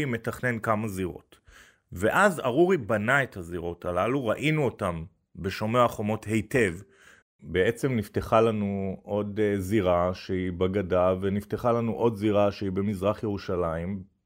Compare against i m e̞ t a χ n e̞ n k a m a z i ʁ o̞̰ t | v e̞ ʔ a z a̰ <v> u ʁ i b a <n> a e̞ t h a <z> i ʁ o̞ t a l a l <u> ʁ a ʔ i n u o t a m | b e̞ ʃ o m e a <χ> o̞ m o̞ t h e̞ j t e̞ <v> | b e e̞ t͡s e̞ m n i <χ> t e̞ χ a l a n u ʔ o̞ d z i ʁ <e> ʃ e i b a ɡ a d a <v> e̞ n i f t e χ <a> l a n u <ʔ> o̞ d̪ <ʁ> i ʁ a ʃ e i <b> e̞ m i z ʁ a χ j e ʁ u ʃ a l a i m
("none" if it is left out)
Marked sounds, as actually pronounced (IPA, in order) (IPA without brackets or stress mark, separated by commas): ʁ, n, z, u, χ, v, f, a, v, a, ʔ, z, b